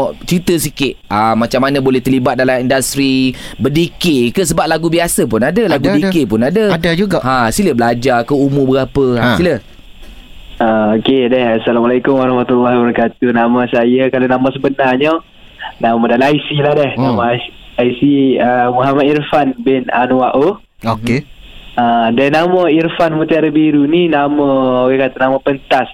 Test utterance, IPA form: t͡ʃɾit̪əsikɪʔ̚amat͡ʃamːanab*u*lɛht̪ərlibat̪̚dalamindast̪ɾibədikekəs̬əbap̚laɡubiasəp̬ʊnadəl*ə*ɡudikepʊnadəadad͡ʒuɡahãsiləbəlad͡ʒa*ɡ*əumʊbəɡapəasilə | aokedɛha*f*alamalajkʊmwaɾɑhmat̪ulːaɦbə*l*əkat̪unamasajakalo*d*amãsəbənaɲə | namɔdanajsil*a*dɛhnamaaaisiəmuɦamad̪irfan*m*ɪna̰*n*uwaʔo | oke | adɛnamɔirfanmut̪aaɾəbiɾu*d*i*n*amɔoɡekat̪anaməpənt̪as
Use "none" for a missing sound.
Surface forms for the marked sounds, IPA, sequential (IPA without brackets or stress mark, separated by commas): o, a, k, s, ɾ, n, a, b, n, n, n